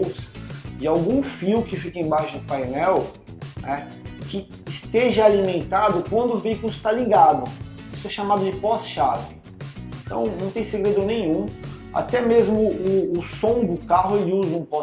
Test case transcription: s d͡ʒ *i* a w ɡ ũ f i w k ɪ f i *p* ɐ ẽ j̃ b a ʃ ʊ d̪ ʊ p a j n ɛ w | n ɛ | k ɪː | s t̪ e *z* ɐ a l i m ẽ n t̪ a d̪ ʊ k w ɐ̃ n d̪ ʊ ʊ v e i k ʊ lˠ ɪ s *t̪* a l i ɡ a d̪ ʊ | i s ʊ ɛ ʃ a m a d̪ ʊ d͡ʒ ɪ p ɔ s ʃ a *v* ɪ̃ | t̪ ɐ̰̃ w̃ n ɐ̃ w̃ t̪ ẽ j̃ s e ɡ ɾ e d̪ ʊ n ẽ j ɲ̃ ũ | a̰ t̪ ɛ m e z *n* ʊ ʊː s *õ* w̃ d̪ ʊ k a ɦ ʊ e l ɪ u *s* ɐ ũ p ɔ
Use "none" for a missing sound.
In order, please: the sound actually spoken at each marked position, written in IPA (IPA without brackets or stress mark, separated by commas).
ɪ, k, ʒ, t̪, v, m, õ, z